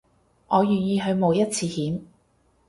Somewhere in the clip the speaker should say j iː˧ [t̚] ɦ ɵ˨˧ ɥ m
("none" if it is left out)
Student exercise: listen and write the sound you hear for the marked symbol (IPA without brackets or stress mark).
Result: none